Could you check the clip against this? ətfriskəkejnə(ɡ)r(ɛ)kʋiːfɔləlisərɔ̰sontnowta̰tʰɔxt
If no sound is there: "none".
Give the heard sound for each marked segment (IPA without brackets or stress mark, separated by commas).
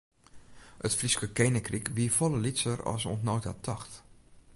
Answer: k, i